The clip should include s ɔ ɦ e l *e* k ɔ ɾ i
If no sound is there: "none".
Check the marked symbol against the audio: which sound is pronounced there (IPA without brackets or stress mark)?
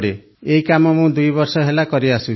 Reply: a